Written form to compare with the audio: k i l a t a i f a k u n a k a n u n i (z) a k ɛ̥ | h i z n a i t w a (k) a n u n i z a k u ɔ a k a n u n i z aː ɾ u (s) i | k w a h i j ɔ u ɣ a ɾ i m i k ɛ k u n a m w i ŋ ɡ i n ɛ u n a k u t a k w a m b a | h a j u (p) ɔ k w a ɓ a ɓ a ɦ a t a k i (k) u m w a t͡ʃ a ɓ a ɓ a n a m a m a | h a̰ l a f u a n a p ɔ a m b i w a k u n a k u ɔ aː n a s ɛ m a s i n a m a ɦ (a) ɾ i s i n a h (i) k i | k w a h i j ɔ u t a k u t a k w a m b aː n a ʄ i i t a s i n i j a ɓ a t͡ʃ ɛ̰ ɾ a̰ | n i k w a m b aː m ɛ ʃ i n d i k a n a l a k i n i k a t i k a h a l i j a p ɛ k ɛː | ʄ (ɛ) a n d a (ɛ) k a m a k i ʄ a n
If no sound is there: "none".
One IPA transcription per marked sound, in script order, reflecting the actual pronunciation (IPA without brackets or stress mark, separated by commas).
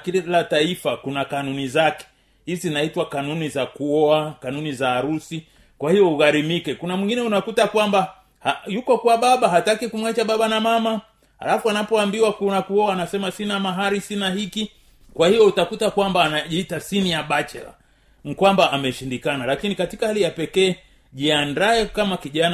z, k, s, k, k, a, i, i, ɛ